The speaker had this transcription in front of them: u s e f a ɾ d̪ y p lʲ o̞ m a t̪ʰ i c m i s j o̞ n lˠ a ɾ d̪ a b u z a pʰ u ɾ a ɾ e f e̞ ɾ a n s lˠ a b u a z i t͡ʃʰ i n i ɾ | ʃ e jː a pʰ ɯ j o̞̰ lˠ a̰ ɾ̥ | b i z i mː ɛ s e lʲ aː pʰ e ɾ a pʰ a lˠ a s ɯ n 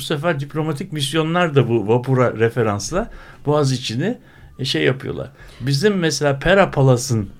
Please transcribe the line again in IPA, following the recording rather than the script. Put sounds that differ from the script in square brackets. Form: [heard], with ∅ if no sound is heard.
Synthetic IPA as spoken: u s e f [æ] ɾ d̪ [i] p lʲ o̞ m a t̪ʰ i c m i s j o̞ n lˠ a ɾ d̪ a b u [v] a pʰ u ɾ a ɾ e f e̞ ɾ a n s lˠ a b u a z i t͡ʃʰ i n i [∅] | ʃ e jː a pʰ ɯ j o̞̰ lˠ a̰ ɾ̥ | b i z i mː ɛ s e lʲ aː pʰ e ɾ a pʰ a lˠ a s ɯ n